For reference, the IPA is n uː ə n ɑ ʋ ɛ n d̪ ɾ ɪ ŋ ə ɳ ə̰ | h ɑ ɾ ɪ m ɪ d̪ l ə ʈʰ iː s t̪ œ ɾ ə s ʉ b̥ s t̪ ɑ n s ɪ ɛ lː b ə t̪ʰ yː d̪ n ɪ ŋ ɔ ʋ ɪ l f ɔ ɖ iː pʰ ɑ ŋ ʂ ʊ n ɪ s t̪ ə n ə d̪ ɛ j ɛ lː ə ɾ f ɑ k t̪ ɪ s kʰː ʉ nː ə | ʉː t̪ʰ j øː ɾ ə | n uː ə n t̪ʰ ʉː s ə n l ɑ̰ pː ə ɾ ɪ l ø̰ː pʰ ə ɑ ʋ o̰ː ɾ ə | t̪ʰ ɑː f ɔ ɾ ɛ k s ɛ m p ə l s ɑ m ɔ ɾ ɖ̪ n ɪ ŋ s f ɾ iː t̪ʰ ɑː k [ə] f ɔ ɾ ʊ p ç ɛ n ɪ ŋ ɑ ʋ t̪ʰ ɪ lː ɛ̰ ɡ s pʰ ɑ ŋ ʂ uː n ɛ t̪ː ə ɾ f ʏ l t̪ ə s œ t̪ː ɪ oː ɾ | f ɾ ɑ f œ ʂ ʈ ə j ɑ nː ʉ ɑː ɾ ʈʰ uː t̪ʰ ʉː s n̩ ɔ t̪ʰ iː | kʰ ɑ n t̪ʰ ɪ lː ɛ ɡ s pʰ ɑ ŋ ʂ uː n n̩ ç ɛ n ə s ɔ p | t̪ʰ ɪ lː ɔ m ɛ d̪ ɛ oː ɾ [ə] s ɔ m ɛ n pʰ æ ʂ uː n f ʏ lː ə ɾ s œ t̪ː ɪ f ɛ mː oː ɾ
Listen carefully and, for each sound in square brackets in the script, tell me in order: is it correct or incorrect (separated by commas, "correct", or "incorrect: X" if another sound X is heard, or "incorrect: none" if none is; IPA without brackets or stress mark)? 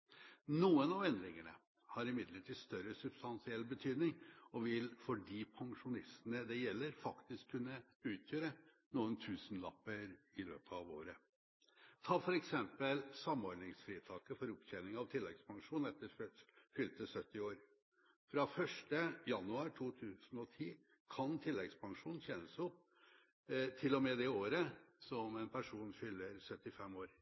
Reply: correct, correct